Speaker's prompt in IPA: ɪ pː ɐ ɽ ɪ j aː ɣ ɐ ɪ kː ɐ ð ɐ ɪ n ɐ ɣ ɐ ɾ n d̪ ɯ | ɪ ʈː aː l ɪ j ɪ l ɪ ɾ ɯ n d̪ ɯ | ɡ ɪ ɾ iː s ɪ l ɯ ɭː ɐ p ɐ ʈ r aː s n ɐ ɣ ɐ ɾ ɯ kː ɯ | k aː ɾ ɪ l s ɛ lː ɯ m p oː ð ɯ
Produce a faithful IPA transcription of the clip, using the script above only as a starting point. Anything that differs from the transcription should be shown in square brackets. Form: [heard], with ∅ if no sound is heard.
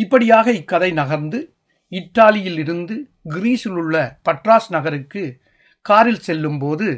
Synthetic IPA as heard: ɪ pː ɐ ɽ ɪ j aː ɣ ɐ ɪ kː ɐ ð ɐ ɪ n ɐ ɣ ɐ ɾ n d̪ ɯ | ɪ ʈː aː l ɪ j ɪ l ɪ ɾ ɯ n d̪ ɯ | ɡ ɪ ɾ iː s ɪ l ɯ ɭː ɐ p ɐ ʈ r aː s n ɐ ɣ ɐ ɾ ɯ kː ɯ | k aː ɾ ɪ l s ɛ lː ɯ m p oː ð ɯ